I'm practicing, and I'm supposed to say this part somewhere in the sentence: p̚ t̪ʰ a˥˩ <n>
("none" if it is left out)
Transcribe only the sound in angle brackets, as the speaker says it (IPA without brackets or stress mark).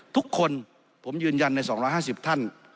n